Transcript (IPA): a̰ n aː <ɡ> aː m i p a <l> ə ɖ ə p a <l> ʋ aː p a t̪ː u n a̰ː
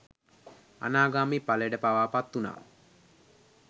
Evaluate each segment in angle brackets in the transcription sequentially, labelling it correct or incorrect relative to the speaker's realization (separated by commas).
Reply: correct, correct, incorrect